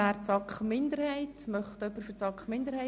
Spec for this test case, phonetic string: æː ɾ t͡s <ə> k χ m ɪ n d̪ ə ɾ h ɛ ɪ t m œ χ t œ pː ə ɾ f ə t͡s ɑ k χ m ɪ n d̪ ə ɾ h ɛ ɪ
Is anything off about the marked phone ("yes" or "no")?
yes